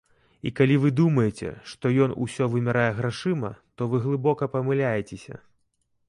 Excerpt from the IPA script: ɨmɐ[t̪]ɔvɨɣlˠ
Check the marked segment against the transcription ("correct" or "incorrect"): correct